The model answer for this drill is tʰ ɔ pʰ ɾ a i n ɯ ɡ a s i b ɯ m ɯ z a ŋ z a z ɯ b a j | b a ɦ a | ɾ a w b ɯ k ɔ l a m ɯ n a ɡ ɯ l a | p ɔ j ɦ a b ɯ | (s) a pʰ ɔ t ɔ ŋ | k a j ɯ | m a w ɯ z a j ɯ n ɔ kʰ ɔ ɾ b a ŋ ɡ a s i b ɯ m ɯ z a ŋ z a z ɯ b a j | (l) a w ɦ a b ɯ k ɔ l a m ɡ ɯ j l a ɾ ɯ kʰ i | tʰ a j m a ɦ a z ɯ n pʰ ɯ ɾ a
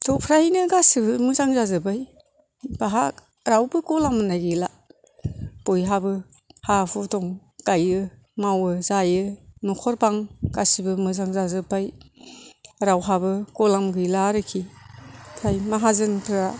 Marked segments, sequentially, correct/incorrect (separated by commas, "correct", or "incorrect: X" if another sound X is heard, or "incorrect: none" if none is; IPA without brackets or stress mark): incorrect: h, incorrect: ɾ